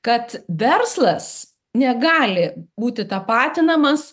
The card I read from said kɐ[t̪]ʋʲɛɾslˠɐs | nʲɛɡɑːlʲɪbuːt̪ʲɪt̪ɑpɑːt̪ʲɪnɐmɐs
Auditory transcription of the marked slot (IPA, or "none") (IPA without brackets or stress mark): t̪